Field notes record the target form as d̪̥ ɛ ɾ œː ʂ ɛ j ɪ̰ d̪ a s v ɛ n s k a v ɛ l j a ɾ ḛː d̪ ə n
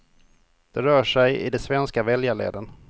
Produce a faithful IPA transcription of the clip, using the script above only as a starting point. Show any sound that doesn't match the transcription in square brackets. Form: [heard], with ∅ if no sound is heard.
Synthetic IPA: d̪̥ ɛ ɾ œː ʂ ɛ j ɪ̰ d̪ [ɛ] s v ɛ n s k a v ɛ l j a [ɭ] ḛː d̪ ə n